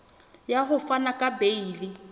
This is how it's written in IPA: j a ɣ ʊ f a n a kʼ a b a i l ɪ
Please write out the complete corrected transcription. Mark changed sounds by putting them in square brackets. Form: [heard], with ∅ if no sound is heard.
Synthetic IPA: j a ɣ ʊ f a n a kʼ a b [e] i l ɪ